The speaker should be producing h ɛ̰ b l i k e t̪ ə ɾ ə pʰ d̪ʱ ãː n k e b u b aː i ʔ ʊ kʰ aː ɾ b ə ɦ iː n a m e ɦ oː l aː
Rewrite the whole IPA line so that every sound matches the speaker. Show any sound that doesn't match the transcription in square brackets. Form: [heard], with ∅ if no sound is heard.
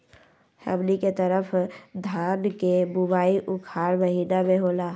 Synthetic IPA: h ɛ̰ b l i k e t̪ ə ɾ ə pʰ d̪ʱ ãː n k e b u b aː i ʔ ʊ kʰ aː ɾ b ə ɦ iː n a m e ɦ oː l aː